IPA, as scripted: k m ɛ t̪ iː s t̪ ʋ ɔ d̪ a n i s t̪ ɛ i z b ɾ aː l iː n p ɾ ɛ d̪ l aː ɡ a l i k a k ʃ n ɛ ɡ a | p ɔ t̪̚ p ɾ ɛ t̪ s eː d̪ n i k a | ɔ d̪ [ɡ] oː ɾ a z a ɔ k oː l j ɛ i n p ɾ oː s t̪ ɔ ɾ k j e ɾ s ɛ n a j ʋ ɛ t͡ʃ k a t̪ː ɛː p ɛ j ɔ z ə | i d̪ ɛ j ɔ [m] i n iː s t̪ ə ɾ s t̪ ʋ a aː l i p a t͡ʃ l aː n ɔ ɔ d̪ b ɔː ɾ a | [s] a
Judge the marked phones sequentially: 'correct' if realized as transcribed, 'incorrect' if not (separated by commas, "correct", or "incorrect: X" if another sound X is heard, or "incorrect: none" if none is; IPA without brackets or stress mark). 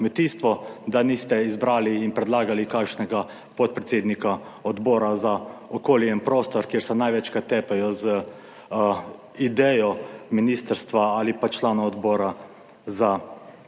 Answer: incorrect: b, correct, incorrect: z